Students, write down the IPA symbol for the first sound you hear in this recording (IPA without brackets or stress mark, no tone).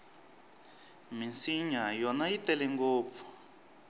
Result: m